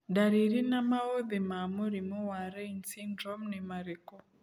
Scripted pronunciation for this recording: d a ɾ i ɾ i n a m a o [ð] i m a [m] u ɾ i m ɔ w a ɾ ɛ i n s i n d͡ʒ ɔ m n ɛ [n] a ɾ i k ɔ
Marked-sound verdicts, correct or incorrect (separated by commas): correct, correct, incorrect